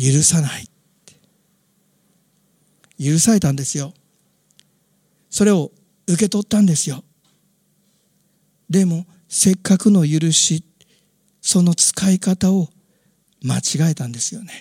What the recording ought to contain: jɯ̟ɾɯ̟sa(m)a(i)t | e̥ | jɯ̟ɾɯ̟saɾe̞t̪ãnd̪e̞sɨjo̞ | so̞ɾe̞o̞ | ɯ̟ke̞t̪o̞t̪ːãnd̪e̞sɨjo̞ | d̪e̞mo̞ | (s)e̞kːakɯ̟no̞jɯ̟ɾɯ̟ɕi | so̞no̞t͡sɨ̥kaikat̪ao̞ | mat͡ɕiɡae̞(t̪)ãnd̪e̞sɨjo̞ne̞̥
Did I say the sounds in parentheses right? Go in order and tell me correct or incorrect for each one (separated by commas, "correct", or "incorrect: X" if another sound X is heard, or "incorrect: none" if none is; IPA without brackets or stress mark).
incorrect: n, correct, correct, correct